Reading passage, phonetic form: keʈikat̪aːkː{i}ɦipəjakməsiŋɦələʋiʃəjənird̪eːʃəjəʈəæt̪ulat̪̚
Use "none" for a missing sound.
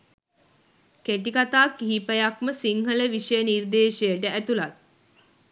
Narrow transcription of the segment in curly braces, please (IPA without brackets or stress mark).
i